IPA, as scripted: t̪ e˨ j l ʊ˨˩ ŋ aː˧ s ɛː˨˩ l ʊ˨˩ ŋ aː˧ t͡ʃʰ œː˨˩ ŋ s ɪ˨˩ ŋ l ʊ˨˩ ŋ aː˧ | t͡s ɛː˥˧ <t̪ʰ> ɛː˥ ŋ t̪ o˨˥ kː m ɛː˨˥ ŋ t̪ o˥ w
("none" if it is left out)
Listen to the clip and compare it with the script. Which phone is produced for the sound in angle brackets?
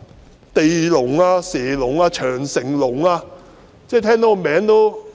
t̪ʰ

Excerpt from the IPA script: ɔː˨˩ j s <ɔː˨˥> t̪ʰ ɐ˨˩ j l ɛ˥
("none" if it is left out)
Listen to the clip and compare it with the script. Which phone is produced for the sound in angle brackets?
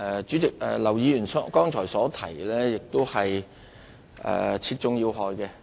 ɔː˨˥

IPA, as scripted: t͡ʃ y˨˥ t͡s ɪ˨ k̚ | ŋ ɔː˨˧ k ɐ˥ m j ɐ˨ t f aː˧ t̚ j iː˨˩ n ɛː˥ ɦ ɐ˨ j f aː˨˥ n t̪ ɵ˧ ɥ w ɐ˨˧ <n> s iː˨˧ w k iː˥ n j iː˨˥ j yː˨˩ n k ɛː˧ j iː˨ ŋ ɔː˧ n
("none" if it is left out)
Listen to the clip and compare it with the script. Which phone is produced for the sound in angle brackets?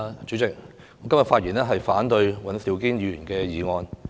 n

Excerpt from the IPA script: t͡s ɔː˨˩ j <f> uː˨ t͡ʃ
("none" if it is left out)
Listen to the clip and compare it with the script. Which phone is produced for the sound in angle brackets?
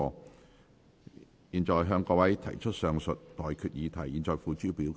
f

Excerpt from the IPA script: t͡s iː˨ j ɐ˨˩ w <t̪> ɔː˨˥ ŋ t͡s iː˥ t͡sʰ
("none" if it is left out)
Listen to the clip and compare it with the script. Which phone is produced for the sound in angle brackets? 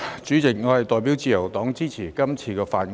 t̪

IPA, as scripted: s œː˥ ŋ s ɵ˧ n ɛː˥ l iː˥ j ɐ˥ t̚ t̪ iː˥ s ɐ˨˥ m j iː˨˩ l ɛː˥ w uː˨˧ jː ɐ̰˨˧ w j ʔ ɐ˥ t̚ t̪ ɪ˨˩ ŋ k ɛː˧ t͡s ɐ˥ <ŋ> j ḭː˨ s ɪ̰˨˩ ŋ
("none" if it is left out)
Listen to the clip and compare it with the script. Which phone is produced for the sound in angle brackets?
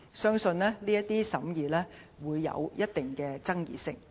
ŋ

